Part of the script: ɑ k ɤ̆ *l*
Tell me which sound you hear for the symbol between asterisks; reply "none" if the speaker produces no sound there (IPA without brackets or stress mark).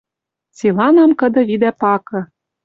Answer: none